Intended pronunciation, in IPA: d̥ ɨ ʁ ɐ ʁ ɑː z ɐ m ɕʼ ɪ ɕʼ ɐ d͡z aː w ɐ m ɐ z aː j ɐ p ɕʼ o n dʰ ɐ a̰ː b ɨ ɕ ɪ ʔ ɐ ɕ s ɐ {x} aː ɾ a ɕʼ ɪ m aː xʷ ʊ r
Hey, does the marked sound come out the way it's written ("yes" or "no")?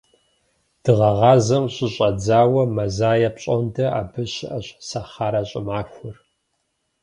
no